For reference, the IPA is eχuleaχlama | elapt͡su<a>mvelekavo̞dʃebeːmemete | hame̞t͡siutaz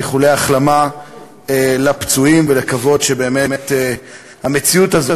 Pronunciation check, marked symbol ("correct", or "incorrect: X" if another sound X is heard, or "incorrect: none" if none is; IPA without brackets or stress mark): incorrect: i